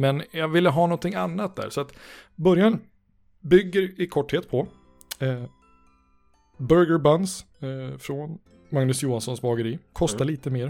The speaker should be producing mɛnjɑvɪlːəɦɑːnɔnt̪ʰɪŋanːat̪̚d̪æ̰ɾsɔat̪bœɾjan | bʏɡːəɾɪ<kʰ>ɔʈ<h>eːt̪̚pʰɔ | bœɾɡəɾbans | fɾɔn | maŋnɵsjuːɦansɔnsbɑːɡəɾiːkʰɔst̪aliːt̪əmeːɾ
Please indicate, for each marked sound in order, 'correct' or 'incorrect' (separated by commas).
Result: correct, correct